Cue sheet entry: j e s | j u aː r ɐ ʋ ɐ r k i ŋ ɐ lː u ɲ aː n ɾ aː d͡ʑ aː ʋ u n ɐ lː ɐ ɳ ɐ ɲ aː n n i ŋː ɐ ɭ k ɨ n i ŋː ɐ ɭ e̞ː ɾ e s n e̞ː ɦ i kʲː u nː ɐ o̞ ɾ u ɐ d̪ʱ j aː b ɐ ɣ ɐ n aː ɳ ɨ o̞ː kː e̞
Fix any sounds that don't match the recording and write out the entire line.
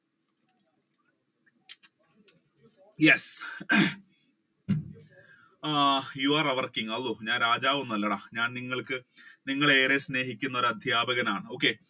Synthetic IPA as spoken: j e s | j u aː r ɐ ʋ ɐ r k i ŋ ɐ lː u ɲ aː n ɾ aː d͡ʑ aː ʋ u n ɐ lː ɐ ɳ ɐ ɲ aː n n i ŋː ɐ ɭ k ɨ n i ŋː ɐ ɭ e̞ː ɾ e s n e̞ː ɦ i kʲː u nː ɐ o̞ ɾ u ɐ d̪ʱ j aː b ɐ ɣ ɐ n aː ɳ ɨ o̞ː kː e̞